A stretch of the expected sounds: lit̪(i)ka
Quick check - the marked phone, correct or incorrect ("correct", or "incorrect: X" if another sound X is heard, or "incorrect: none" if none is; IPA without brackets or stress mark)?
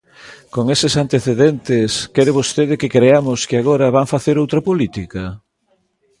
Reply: correct